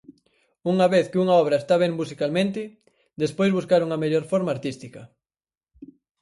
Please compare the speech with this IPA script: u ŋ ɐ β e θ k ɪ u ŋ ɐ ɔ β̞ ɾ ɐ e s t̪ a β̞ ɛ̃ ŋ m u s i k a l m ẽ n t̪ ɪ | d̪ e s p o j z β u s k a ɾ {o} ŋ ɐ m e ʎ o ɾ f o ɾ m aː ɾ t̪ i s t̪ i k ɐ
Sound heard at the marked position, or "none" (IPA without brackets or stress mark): u